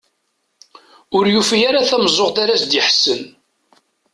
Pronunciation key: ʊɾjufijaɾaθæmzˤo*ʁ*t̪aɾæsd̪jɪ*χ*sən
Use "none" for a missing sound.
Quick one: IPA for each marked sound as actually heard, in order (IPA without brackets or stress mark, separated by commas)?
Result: ʁ, ħ